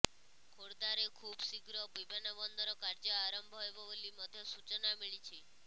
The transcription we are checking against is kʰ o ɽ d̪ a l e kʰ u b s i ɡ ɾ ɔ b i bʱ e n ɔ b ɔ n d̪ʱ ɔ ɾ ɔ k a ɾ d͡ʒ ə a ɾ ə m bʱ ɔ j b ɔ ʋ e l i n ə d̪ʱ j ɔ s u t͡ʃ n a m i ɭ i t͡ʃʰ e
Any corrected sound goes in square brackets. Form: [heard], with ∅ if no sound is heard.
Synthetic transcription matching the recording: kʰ o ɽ d̪ a [ɾ] e kʰ u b s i ɡ ɾ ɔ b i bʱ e n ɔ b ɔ n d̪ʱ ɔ ɾ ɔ k a ɾ d͡ʒ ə a ɾ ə m bʱ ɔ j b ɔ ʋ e l i [m] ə d̪ʱ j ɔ s u t͡ʃ n a m i ɭ i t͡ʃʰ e